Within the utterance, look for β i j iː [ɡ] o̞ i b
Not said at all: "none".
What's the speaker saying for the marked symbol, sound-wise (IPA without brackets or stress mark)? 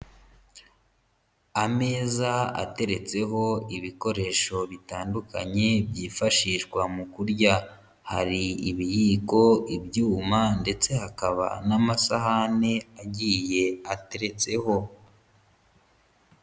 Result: k